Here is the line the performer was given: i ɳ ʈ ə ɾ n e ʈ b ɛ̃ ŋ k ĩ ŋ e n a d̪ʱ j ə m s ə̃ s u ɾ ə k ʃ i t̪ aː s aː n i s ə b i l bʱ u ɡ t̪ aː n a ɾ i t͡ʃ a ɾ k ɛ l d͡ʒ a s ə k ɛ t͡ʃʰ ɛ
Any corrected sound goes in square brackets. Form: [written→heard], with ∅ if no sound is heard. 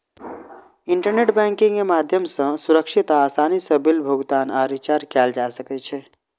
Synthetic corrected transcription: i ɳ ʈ ə ɾ n e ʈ b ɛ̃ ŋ k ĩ ŋ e [n→m] a d̪ʱ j ə m s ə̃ s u ɾ ə k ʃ i t̪ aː s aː n i s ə b i l bʱ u ɡ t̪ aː n a ɾ i t͡ʃ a ɾ k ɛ l d͡ʒ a s ə k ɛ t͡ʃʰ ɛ